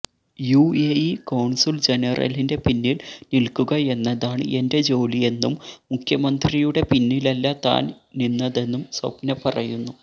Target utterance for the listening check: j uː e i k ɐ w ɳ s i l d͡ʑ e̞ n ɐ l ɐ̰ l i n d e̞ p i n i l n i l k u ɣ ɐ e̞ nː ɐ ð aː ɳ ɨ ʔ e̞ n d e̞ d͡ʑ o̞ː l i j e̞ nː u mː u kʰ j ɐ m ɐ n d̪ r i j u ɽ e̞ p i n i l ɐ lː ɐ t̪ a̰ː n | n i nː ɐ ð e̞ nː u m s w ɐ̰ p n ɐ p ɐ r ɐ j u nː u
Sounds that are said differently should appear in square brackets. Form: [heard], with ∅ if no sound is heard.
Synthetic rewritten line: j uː e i k ɐ w ɳ s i l d͡ʑ e̞ n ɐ [r] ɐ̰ l i n d e̞ p i [nː] i l n i l k u ɣ ɐ e̞ nː ɐ ð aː ɳ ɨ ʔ e̞ n d e̞ d͡ʑ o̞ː l i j e̞ nː u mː u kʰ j ɐ m ɐ n d̪ r i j u ɽ e̞ p i [nː] i l ɐ lː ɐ t̪ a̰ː n | n i nː ɐ ð e̞ nː u m s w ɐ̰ p n ɐ p ɐ r ɐ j u nː u